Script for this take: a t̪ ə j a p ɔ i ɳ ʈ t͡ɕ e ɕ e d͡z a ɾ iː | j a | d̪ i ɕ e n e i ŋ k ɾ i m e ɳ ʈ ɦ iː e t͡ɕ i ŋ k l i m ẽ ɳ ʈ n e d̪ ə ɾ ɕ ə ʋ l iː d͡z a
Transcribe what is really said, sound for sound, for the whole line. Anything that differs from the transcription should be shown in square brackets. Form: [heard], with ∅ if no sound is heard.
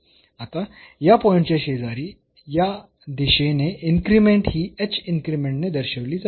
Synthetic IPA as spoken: a t̪ [a] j a p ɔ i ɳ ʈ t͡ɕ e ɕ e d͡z a ɾ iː | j a | d̪ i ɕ e n e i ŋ k ɾ i m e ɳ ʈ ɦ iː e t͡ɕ i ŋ k [ɾ] i m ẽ ɳ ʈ n e d̪ ə ɾ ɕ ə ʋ l iː d͡z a